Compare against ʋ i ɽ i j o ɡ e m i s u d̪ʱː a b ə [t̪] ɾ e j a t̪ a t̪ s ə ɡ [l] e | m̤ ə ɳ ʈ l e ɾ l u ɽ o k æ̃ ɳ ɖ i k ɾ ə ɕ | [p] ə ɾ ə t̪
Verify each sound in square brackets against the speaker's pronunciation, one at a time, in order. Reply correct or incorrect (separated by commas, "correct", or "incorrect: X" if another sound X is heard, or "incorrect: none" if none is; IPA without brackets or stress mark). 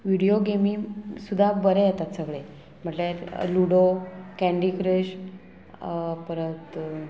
incorrect: none, incorrect: ɭ, correct